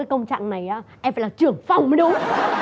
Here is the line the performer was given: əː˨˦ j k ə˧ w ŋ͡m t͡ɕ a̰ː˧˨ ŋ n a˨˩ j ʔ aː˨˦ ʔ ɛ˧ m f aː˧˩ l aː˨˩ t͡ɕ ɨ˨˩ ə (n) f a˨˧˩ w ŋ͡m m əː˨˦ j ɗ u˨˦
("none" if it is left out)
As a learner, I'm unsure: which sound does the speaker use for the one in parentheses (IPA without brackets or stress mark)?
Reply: ŋ